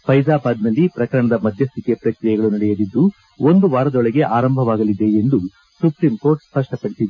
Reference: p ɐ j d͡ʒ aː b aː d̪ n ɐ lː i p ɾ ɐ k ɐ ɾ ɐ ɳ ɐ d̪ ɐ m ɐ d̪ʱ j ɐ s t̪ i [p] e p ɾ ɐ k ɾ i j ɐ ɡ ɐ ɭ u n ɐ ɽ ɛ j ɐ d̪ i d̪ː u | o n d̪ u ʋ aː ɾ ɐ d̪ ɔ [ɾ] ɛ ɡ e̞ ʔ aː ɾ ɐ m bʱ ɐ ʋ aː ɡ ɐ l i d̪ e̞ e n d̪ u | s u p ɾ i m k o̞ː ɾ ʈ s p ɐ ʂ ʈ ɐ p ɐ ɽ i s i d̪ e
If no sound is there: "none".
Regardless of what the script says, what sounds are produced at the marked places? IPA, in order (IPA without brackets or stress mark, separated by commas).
k, ɭ